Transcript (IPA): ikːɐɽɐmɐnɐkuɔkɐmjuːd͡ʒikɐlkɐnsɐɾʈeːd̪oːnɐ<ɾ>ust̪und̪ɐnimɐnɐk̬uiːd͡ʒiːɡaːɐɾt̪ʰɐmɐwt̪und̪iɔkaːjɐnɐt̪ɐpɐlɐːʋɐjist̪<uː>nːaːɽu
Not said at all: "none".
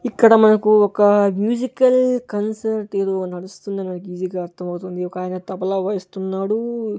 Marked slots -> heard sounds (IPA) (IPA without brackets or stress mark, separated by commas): ɽ, u